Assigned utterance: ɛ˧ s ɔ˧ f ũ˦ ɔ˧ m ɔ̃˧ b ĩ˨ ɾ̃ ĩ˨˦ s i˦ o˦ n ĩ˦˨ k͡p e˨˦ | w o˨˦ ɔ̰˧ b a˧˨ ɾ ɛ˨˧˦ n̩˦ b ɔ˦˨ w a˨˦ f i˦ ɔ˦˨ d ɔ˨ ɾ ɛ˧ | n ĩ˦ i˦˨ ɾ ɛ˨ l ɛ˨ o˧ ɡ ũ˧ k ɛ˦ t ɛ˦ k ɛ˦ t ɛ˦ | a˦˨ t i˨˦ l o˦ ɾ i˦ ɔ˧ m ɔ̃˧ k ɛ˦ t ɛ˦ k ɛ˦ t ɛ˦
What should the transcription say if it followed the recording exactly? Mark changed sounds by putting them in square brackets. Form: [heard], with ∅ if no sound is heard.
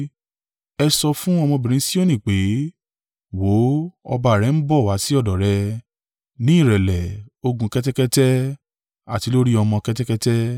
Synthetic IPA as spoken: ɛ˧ s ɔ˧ f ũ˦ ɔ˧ m ɔ̃˧ b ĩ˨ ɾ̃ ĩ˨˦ s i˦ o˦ n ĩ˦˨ k͡p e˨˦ | w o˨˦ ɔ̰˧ b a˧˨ ɾ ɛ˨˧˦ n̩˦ b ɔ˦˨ w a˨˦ [s] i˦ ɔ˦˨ d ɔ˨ ɾ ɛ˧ | n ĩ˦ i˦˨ ɾ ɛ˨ l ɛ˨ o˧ ɡ ũ˧ k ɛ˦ t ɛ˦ k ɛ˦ t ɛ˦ | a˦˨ t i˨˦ l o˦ ɾ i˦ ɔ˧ m ɔ̃˧ k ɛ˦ t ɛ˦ k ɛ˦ t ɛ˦